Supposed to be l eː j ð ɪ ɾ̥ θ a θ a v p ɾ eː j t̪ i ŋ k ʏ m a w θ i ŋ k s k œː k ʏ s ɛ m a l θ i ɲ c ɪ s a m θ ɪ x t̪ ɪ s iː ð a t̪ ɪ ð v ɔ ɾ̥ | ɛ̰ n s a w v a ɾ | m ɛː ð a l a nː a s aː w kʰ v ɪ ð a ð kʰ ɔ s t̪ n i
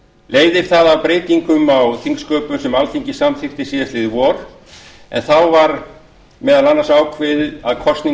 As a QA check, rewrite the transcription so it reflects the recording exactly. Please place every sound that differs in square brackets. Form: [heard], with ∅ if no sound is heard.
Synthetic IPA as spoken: l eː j ð ɪ ɾ̥ θ a [ð] a v p ɾ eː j t̪ i ŋ k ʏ m a w θ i ŋ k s k œː [p] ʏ s ɛ m a l θ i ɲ c ɪ s a m θ ɪ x t̪ ɪ s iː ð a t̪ ɪ ð v ɔ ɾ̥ | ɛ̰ n [θ] a w v a ɾ | m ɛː ð a l a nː a s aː w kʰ v ɪ ð a ð kʰ ɔ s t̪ n i